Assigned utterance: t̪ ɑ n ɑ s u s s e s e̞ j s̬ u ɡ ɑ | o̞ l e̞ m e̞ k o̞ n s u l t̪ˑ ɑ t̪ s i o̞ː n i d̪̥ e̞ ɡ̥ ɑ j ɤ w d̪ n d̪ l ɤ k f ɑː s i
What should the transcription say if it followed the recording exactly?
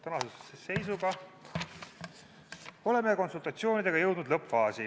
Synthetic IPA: t̪ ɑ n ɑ s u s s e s e̞ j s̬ u ɡ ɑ | o̞ l e̞ m e̞ k o̞ n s u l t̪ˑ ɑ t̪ s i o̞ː n i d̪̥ e̞ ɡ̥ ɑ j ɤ w d̪ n d̪ l ɤ p f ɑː s i